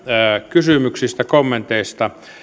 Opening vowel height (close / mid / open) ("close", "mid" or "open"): close